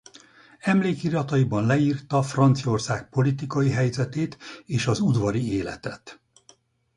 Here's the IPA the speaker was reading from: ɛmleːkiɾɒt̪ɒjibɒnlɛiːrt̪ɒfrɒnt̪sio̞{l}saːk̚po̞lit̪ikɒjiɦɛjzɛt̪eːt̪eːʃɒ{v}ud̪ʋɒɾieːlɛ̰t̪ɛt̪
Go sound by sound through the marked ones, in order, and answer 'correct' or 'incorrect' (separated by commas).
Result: incorrect, incorrect